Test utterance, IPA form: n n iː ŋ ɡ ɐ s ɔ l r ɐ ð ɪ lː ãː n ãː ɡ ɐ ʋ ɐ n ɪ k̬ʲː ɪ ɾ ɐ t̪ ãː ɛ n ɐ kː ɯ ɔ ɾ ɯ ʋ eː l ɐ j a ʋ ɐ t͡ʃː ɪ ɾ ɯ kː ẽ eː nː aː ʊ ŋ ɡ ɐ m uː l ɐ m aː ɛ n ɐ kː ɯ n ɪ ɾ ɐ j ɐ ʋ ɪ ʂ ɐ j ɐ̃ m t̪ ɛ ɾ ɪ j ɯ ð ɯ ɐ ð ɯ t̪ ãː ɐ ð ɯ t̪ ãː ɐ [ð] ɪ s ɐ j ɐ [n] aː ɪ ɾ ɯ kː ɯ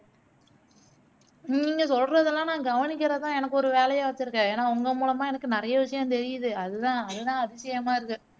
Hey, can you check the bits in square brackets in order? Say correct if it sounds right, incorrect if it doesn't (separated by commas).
correct, incorrect